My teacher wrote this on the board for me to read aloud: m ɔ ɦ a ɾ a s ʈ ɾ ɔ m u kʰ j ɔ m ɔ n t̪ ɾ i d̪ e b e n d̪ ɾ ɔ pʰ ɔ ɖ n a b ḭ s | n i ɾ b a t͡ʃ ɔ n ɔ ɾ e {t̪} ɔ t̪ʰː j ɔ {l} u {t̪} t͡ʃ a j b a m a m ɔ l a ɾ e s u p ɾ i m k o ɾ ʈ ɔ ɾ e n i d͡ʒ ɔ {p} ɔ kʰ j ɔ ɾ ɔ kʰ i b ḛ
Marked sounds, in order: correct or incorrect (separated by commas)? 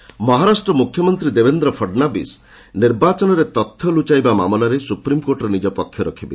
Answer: correct, correct, incorrect, correct